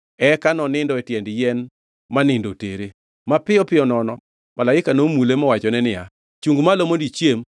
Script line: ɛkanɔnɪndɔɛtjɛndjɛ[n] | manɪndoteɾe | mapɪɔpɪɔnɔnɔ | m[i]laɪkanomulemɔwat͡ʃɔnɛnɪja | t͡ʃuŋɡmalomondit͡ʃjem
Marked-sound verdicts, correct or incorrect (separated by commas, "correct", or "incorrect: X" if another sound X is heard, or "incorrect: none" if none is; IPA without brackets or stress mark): correct, incorrect: a